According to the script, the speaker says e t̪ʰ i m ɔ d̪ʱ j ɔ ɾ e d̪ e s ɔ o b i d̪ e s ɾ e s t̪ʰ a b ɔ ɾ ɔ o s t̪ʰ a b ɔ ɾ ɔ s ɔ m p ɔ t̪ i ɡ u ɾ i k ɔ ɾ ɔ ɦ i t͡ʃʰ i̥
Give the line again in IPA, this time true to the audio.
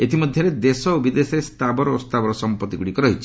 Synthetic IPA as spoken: e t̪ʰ i m ɔ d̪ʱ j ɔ ɾ e d̪ e s ɔ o b i d̪ e s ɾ e s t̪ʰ a b ɔ ɾ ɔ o s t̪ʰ a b ɔ ɾ ɔ s ɔ m p ɔ t̪ i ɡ u ɽ i k ɔ ɾ ɔ ɦ i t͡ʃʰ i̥